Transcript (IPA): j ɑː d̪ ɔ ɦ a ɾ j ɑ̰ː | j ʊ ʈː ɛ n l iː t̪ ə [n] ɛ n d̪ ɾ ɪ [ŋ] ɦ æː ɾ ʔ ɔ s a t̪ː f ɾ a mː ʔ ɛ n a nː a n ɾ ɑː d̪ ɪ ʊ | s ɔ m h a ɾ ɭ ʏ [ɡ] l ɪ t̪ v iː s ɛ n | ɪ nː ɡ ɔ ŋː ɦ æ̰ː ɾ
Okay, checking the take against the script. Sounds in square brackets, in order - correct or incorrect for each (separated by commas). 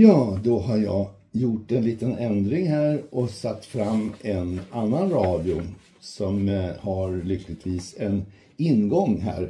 correct, correct, incorrect